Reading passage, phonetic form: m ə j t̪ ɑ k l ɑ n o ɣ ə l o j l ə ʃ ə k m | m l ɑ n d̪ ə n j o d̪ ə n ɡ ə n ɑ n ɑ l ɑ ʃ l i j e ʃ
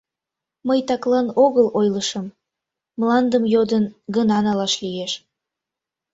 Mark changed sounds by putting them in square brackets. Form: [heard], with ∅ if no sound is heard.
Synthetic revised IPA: m ə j t̪ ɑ k l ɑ n o ɣ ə l o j l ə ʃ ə [∅] m | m l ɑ n d̪ ə [m] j o d̪ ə n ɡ ə n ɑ n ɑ l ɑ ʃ l i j e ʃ